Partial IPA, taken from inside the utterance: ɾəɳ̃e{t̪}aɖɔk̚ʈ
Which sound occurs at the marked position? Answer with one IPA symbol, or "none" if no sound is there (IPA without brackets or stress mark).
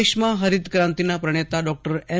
t̪